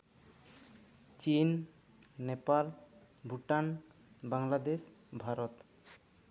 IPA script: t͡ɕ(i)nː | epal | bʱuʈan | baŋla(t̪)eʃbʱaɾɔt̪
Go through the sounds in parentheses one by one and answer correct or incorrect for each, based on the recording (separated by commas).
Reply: correct, incorrect